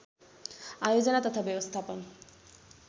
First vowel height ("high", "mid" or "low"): low